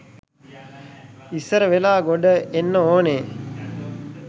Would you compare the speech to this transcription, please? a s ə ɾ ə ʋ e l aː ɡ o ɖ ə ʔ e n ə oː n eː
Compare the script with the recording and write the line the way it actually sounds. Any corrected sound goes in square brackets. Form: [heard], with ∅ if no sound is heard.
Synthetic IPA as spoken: [i] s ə ɾ ə ʋ e l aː ɡ o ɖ ə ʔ e [nː] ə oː n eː